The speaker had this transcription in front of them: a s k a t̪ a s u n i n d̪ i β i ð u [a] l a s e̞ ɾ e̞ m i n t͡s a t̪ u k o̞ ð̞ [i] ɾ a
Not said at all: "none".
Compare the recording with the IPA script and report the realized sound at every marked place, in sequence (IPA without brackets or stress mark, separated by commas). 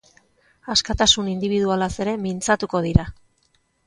a, i